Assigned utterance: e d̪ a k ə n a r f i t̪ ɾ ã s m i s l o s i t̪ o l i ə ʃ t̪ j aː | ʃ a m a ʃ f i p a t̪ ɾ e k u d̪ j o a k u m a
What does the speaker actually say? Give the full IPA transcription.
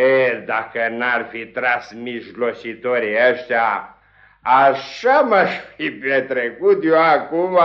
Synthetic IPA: e d̪ a k ə n a r f i t̪ ɾ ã s m i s l o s i t̪ o ɾ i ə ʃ t̪ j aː | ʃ a m a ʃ f i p e t̪ ɾ e k u t̪ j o a k u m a